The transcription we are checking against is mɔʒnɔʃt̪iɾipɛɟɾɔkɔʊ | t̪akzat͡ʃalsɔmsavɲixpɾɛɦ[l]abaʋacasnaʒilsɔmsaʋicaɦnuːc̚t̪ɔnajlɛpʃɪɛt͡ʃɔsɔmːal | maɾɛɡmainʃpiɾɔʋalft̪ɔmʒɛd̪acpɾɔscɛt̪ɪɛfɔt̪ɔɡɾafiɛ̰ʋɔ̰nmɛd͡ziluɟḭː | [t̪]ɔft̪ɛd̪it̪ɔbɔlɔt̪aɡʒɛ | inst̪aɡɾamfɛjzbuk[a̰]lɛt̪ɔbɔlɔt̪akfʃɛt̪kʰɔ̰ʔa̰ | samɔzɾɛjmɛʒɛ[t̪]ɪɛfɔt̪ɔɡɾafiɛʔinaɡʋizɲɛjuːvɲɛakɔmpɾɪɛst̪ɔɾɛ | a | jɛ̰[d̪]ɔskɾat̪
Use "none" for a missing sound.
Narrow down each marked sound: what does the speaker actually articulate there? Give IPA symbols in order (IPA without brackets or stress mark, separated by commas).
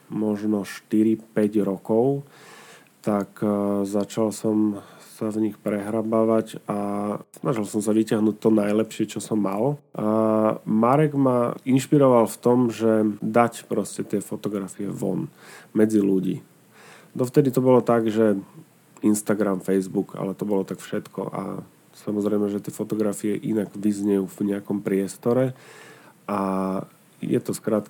ɾ, d̪, a̰, t̪, t̪